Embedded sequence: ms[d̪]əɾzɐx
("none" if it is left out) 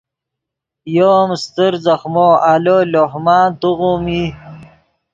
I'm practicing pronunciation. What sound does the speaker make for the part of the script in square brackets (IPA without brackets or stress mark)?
t̪